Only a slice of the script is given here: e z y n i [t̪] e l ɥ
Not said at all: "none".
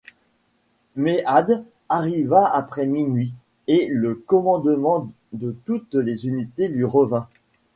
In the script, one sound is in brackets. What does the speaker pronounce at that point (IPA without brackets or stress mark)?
t̪